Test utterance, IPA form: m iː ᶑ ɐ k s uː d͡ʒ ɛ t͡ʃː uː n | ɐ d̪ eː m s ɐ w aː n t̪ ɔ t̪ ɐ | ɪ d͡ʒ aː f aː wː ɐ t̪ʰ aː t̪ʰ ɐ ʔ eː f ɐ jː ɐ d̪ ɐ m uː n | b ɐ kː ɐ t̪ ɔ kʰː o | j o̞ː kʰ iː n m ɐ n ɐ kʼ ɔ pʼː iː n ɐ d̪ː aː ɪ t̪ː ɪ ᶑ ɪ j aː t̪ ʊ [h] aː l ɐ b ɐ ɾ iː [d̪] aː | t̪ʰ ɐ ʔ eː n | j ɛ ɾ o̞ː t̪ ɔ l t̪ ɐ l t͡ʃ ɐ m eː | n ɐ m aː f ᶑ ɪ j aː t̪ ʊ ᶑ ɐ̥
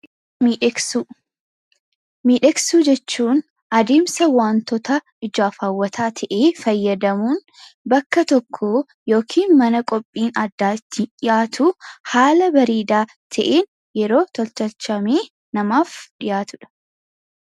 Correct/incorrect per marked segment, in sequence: correct, correct

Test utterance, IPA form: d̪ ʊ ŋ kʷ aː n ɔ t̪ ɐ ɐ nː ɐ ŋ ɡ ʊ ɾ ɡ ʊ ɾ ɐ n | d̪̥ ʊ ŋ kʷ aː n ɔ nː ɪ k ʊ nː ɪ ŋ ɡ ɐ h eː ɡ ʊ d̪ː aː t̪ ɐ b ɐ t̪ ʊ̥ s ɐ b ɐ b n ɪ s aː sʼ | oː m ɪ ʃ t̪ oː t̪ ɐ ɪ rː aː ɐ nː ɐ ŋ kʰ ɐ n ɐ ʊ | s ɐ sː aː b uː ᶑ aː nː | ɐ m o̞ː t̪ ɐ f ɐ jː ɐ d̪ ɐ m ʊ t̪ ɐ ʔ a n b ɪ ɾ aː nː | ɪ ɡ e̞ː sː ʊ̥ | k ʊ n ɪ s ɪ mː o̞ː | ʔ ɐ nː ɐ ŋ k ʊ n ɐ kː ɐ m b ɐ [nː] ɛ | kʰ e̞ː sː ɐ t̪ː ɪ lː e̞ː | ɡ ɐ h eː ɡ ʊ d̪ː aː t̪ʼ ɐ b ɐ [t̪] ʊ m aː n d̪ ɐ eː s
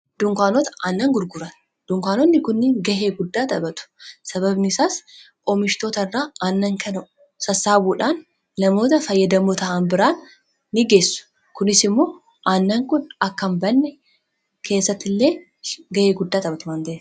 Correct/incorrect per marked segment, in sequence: correct, correct

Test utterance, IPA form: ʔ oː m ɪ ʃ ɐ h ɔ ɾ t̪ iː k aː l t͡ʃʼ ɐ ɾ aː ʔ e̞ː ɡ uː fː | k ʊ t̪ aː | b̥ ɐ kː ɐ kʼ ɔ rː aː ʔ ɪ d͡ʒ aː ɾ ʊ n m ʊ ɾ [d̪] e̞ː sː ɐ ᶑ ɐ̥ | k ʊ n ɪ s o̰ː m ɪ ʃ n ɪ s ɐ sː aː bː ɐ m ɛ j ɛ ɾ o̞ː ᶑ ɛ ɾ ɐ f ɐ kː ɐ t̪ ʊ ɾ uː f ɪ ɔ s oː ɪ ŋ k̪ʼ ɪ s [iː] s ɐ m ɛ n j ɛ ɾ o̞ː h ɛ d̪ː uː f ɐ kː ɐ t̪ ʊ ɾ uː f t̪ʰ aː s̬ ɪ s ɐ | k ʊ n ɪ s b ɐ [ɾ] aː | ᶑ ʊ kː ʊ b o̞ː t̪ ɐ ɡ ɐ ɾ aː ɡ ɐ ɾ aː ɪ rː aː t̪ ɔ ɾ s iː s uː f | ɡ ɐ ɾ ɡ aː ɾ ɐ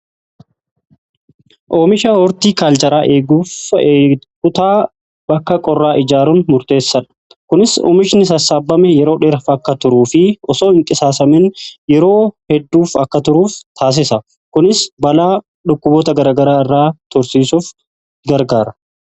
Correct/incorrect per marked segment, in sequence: incorrect: t̪, incorrect: aː, incorrect: l

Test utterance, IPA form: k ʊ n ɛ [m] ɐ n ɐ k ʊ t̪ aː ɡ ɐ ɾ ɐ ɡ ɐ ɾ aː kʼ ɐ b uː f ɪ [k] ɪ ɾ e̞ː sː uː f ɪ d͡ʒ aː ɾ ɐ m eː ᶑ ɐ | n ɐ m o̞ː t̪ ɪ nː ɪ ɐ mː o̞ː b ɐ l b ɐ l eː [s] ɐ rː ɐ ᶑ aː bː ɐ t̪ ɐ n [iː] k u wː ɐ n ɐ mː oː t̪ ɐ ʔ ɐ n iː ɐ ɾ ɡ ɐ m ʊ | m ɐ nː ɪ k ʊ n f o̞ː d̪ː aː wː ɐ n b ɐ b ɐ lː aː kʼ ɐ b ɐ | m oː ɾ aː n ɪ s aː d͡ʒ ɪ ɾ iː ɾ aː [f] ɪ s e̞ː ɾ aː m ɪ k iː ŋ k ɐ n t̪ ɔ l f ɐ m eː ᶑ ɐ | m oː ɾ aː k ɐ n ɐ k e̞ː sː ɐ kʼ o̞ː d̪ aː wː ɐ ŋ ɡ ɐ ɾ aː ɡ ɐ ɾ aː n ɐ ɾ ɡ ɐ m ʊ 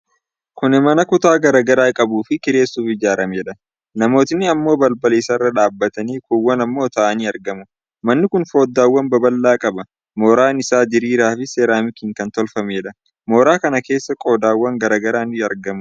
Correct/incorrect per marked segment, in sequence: correct, correct, correct, correct, correct

